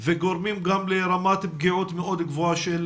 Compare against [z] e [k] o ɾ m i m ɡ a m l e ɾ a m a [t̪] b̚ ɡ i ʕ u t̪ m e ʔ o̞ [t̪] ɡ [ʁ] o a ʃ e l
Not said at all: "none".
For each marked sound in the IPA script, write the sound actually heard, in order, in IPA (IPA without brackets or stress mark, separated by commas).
v, ɡ, t̪, d̪, v